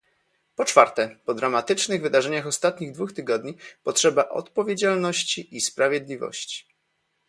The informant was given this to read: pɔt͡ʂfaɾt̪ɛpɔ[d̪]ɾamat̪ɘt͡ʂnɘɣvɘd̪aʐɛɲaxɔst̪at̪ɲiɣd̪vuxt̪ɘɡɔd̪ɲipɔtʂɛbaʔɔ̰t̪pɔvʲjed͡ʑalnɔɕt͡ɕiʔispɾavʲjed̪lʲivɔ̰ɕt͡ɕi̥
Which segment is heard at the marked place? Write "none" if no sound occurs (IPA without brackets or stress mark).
d̪